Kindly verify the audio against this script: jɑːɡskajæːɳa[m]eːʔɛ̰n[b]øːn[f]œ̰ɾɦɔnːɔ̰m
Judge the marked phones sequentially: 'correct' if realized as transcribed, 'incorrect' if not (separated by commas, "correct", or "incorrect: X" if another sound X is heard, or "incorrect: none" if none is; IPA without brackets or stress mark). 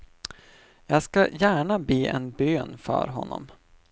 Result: incorrect: b, correct, correct